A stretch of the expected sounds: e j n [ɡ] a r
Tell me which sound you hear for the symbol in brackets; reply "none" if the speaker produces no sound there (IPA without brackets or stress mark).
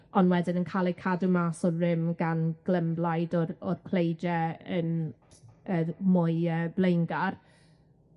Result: ɡ